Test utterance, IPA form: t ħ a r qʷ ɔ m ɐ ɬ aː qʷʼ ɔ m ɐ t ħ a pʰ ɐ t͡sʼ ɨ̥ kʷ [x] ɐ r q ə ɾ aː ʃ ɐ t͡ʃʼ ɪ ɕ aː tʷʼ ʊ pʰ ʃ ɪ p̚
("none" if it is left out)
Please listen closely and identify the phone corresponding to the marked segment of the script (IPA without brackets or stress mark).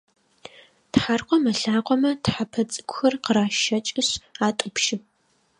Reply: x